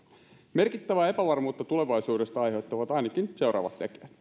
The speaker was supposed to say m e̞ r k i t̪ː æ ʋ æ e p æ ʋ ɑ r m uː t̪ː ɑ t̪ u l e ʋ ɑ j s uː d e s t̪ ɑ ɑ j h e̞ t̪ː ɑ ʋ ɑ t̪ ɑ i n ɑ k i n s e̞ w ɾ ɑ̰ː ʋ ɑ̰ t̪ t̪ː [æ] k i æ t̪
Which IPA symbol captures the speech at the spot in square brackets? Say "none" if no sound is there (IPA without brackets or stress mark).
e